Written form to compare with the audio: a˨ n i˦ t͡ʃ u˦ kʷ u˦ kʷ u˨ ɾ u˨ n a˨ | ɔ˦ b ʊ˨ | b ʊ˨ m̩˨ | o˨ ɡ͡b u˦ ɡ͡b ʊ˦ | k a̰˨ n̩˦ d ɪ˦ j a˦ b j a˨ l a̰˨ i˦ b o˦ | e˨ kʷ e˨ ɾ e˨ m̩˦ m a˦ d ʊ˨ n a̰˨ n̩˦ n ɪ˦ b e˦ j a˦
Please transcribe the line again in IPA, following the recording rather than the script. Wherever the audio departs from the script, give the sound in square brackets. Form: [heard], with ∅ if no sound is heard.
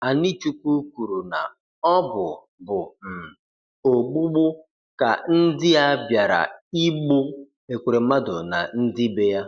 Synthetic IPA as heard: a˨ n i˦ t͡ʃ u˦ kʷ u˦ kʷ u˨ ɾ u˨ n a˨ | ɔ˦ b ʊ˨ | b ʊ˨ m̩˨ | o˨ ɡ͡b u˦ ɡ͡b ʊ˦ | k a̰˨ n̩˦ d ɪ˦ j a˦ b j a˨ [ɾ] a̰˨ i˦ [ɡ͡b] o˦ | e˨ kʷ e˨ ɾ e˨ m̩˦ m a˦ d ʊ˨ n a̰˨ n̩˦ [d] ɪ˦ b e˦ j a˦